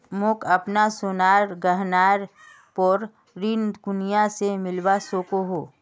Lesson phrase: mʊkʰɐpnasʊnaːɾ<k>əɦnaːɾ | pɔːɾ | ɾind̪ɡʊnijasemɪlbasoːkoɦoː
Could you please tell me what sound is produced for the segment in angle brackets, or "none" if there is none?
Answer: ɡ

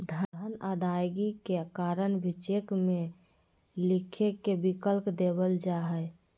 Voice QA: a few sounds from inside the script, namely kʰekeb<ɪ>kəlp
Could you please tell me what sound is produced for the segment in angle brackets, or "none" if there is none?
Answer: i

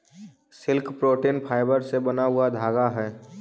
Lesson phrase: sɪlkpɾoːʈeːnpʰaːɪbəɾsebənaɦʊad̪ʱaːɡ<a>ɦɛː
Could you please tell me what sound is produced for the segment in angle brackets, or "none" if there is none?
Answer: a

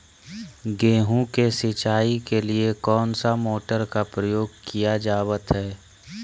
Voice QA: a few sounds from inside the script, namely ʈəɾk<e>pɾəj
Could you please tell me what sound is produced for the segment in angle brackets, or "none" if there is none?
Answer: a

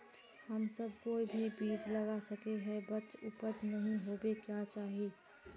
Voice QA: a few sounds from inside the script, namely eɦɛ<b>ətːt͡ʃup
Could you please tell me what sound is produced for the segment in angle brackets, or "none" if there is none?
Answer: b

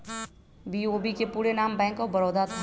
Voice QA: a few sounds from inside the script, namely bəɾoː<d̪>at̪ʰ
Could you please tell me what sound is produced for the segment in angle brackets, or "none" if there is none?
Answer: d̪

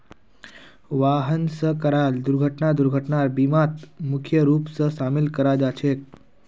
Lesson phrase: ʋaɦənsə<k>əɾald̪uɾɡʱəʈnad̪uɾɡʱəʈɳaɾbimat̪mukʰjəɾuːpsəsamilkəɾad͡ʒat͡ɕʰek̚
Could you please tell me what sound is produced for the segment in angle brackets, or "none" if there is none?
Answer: k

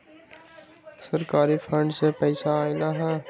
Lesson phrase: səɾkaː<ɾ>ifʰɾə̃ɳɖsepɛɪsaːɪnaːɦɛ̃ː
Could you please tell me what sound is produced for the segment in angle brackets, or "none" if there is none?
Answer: ɾ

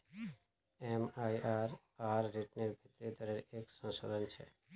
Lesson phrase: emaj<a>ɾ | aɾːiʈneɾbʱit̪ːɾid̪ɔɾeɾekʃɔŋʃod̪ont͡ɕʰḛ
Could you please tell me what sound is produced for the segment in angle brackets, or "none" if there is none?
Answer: a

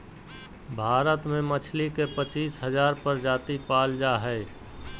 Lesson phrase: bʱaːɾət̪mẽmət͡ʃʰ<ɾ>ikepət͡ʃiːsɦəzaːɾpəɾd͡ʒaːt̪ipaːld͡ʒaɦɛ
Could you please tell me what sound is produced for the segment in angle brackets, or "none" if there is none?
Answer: l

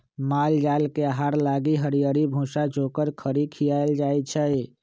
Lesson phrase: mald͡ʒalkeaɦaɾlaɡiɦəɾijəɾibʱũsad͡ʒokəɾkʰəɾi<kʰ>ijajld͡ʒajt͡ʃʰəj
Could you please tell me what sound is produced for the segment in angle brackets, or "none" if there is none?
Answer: kʰ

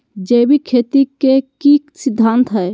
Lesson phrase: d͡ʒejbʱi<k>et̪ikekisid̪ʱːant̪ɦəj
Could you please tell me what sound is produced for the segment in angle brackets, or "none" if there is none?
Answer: kʰ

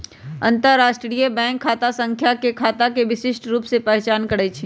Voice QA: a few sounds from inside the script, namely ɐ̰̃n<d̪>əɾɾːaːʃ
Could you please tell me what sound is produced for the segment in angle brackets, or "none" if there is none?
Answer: t̪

